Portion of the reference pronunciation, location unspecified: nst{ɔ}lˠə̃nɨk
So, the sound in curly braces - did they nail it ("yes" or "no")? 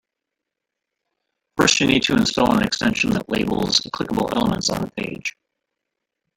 yes